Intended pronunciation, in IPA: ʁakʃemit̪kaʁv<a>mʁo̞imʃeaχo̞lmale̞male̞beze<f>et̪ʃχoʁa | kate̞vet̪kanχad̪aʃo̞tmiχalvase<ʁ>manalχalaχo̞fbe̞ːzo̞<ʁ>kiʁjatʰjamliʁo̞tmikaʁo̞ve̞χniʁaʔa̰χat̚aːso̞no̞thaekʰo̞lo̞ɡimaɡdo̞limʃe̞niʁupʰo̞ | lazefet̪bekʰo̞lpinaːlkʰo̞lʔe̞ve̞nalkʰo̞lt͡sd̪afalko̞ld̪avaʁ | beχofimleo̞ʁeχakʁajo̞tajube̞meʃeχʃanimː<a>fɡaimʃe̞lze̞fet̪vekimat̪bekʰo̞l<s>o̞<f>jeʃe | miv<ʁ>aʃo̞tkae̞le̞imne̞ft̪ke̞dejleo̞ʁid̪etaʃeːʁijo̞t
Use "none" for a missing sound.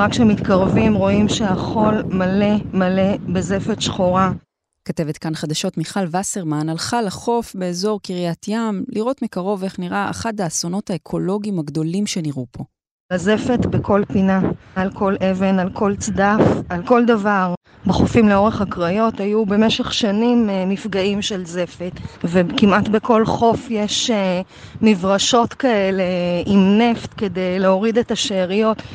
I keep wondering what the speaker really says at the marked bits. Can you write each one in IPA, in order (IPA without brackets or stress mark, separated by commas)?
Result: i, f, ʁ, ʁ, i, χ, f, ʁ